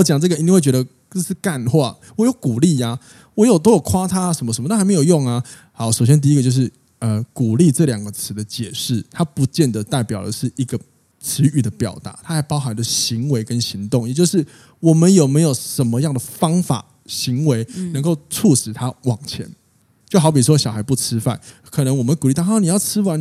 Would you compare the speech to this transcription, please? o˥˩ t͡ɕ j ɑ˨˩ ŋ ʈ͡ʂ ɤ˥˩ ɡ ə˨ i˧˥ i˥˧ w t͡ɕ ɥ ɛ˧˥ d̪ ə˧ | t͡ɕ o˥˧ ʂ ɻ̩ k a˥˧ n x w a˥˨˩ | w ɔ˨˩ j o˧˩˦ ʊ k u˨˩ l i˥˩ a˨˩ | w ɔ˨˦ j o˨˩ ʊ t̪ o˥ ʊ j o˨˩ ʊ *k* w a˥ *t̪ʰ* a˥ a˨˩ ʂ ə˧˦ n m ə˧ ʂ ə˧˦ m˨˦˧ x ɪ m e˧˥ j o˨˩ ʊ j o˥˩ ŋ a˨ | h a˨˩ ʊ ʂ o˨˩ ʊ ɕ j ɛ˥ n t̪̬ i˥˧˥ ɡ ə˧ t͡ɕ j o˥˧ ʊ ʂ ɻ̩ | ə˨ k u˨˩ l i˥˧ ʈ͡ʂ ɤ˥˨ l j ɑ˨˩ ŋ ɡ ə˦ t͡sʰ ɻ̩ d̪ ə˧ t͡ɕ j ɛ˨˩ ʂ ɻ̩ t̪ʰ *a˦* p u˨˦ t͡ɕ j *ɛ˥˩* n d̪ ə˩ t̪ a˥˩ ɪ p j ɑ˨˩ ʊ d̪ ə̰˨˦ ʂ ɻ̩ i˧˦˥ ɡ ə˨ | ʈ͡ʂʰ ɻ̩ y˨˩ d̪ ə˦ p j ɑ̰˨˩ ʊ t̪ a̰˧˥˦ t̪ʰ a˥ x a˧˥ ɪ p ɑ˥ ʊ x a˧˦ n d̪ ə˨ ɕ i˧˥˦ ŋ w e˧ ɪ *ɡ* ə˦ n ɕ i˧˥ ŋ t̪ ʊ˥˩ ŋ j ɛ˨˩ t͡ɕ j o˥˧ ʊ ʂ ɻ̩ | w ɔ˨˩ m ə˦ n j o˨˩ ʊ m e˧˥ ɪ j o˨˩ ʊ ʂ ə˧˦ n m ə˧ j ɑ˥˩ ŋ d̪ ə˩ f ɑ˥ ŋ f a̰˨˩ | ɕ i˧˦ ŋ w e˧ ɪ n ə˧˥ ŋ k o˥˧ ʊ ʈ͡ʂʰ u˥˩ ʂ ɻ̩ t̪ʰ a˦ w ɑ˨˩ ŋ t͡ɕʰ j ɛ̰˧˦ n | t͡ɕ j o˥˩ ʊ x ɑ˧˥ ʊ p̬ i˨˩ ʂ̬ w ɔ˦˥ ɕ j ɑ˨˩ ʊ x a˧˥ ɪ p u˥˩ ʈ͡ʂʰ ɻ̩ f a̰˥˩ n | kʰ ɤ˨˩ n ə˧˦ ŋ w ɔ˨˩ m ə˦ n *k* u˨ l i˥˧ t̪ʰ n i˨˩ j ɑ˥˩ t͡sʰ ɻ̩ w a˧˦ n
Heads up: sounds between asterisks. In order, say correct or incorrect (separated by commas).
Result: incorrect, correct, correct, correct, incorrect, correct